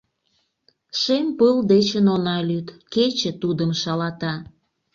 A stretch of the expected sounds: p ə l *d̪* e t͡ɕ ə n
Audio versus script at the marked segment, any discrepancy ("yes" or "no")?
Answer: no